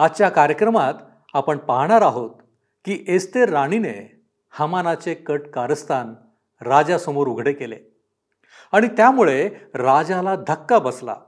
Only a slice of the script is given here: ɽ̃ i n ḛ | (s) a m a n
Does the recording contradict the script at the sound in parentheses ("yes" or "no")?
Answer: yes